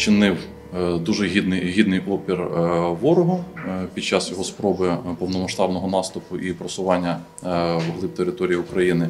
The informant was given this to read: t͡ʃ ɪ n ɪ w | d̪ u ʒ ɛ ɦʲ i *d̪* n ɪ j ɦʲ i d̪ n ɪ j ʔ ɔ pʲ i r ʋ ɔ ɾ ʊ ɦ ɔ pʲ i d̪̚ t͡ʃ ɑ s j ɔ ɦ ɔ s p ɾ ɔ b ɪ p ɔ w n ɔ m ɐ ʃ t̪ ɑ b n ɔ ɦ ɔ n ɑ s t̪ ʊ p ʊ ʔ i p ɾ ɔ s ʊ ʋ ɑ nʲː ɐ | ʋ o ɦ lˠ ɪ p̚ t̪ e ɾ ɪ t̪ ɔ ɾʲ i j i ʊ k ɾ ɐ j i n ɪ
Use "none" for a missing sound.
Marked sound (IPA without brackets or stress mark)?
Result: d̪